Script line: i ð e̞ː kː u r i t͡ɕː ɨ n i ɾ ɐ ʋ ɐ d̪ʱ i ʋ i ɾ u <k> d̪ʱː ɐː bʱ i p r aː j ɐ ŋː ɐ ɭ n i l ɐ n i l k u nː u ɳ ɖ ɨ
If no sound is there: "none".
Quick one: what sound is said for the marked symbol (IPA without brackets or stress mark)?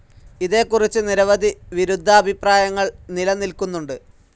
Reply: none